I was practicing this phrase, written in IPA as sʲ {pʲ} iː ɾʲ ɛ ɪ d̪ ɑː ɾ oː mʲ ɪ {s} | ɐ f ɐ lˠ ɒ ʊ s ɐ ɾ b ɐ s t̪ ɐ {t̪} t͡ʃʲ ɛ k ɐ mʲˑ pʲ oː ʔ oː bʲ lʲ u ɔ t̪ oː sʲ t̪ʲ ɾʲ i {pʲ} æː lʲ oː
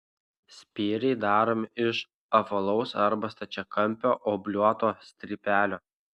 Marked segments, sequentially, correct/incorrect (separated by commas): correct, incorrect, incorrect, correct